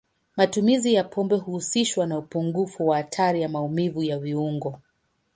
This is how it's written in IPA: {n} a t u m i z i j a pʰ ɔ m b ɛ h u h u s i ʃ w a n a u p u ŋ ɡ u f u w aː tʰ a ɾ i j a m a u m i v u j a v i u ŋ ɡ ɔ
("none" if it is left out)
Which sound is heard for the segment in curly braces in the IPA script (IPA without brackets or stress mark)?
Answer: m